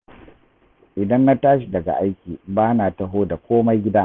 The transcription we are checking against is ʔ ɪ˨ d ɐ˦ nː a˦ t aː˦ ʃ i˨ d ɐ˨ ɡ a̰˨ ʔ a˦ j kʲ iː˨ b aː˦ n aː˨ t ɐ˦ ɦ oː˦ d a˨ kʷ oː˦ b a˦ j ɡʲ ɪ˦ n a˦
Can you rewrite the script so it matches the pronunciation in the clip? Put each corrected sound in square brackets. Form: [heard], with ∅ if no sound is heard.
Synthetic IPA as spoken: ʔ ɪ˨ d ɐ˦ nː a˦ t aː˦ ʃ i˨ d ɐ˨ ɡ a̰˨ ʔ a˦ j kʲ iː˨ b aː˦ n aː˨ t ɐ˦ ɦ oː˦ d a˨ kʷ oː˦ [m] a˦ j ɡʲ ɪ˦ [d] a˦